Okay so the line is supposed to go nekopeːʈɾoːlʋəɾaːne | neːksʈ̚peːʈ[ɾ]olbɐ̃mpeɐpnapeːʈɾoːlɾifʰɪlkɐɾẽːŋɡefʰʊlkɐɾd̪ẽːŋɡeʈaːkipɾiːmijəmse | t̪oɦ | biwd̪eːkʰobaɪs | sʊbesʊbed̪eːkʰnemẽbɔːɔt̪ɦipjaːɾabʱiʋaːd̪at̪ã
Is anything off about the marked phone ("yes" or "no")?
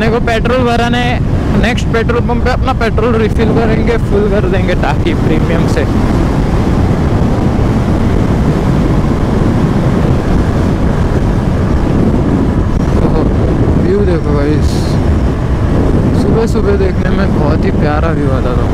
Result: no